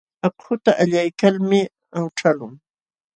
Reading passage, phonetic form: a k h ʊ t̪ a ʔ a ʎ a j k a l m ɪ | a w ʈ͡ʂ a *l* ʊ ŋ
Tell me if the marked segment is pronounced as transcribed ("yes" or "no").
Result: yes